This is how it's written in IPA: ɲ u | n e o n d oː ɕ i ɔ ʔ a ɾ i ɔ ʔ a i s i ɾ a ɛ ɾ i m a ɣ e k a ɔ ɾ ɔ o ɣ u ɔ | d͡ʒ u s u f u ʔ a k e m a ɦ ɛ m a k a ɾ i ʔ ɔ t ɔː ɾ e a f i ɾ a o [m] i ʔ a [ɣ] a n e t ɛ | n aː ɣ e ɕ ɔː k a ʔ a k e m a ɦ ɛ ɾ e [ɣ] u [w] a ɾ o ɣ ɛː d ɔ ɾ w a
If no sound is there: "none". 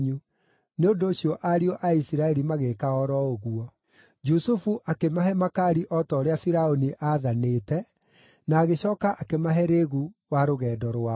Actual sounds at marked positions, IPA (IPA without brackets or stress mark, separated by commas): n, ð, ɣ, w